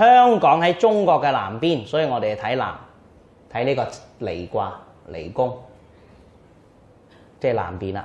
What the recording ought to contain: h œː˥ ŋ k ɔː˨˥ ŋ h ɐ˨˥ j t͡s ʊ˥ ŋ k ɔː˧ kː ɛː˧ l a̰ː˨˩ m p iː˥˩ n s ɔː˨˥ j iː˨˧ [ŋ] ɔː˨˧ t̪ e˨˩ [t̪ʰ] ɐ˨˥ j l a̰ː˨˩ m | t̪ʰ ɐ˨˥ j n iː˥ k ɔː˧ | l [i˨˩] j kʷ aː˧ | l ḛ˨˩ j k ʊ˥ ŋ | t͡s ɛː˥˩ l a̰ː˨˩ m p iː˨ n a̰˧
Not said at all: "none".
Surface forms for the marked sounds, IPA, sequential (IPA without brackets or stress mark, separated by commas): ŋ, t̪ʰ, e˨˩